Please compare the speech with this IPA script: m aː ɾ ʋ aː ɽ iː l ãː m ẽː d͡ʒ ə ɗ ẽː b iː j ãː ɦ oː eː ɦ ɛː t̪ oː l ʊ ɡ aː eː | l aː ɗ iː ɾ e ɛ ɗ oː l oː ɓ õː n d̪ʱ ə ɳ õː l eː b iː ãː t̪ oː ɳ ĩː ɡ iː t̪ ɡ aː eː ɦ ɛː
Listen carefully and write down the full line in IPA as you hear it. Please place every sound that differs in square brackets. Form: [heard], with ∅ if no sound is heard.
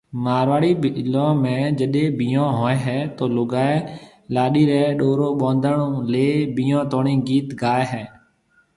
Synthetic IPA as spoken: m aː ɾ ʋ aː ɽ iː l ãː m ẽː d͡ʒ ə ɗ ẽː b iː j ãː ɦ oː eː ɦ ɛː t̪ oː l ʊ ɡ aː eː | l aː ɗ iː ɾ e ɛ ɗ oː [ɾ] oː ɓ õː n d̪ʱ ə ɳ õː l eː b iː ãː t̪ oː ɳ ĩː ɡ iː t̪ ɡ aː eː ɦ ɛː